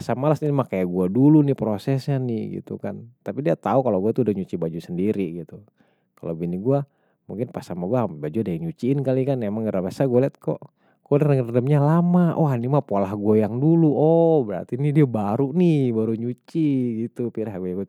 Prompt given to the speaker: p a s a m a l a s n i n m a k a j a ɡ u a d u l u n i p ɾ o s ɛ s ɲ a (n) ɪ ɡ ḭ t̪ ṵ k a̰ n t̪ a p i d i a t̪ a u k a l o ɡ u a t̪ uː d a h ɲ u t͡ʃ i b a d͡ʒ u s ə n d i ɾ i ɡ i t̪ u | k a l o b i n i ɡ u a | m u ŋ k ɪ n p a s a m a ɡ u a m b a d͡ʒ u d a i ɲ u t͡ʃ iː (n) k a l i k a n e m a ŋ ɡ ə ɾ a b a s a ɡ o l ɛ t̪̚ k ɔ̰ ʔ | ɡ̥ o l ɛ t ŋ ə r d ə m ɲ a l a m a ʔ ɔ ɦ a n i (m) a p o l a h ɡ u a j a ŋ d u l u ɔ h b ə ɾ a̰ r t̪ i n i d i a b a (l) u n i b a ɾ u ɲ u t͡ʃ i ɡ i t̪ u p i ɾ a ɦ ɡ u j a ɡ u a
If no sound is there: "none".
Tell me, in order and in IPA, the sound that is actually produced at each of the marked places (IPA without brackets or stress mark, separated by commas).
n, n, m, ɾ